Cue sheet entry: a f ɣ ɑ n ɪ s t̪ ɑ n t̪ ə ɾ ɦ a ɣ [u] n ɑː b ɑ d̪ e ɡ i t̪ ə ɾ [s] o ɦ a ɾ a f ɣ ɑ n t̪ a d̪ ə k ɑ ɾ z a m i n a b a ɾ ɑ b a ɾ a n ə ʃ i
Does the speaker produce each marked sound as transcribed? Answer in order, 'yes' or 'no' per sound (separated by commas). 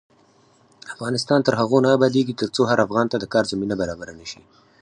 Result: no, no